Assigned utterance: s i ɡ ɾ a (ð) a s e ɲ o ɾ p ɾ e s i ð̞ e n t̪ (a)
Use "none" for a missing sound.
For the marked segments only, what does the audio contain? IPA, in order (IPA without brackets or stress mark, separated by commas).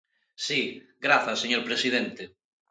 θ, e